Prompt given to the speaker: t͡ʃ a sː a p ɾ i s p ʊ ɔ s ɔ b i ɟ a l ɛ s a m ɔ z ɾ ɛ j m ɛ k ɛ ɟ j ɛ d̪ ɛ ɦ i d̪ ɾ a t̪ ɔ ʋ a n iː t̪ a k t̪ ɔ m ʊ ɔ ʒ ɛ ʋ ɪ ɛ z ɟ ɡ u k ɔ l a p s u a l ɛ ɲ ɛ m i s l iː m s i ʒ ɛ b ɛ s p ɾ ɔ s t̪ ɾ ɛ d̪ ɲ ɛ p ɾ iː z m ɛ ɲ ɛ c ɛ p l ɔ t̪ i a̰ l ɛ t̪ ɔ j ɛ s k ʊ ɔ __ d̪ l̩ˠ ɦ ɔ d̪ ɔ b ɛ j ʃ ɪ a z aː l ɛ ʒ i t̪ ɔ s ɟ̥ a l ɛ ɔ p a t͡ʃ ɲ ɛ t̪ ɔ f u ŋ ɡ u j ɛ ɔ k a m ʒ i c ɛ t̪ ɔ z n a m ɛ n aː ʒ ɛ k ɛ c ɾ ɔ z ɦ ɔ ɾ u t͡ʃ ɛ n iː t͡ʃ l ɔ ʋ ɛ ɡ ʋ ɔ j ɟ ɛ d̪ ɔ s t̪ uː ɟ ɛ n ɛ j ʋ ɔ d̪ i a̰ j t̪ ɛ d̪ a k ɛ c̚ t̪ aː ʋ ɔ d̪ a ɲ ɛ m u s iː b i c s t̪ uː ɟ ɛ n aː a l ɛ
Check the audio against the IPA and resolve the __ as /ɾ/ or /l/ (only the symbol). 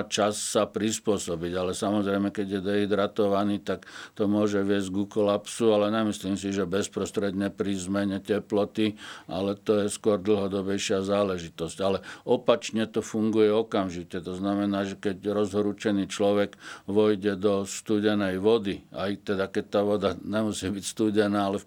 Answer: ɾ